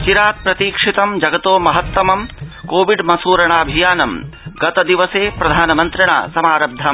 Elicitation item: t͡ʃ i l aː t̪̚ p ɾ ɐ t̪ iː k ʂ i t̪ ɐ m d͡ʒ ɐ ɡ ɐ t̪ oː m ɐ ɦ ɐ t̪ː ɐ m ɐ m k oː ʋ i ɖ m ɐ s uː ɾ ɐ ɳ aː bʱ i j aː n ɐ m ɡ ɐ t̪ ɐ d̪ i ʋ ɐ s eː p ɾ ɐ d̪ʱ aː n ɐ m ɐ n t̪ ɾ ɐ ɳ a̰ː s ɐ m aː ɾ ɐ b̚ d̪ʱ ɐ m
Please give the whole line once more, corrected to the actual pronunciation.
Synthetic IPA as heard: t͡ʃ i ɾ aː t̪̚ p ɾ ɐ t̪ iː k ʂ i t̪ ɐ m d͡ʒ ɐ ɡ ɐ t̪ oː m ɐ ɦ ɐ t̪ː ɐ m ɐ m k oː ʋ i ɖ m ɐ s uː ɾ ɐ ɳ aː bʱ i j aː n ɐ m ɡ ɐ t̪ ɐ d̪ i ʋ ɐ s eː p ɾ ɐ d̪ʱ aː n ɐ m ɐ n t̪ ɾ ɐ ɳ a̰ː s ɐ m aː ɾ ɐ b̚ d̪ʱ ɐ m